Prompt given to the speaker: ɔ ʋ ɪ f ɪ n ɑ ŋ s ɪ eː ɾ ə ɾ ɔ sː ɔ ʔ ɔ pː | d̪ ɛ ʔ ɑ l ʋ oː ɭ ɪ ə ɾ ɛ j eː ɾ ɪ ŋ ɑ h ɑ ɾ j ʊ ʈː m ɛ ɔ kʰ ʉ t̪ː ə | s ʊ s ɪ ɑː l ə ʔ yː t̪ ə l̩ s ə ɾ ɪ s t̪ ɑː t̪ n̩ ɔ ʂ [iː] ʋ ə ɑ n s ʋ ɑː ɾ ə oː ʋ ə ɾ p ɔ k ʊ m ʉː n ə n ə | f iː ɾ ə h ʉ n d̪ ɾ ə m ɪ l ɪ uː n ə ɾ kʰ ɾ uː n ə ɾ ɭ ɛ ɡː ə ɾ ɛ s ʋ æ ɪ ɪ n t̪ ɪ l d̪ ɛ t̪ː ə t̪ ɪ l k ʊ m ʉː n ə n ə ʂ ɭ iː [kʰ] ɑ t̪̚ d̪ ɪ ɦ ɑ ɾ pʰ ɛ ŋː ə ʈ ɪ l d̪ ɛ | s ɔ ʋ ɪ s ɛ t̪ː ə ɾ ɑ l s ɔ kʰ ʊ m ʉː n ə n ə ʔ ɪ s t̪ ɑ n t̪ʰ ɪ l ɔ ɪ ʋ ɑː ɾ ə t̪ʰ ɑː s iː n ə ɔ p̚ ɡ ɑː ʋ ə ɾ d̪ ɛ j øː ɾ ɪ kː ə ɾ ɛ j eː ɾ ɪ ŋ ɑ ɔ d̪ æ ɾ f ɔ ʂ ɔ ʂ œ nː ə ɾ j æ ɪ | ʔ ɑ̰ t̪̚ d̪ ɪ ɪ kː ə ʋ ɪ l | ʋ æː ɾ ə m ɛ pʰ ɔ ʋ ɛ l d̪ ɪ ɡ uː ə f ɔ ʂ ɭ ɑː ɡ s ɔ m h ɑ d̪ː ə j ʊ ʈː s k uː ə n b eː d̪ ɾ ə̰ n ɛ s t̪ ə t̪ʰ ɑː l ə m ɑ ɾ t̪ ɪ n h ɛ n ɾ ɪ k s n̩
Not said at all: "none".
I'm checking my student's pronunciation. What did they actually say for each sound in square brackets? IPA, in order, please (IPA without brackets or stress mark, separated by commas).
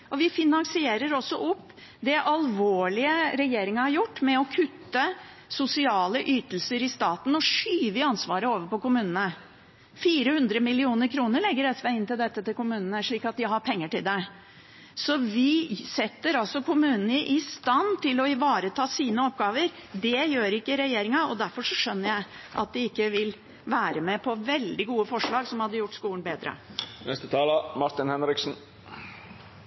yː, k